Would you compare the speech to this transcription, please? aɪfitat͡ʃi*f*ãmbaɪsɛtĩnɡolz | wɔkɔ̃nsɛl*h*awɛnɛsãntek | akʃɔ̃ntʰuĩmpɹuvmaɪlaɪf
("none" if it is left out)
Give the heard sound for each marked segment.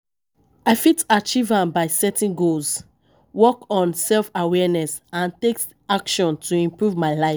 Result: v, f

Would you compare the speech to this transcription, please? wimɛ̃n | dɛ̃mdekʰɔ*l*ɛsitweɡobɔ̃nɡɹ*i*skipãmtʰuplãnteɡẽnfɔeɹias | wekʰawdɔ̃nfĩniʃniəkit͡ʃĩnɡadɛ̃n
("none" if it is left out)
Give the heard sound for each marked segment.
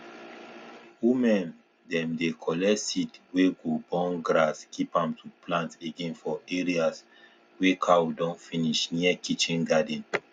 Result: l, a

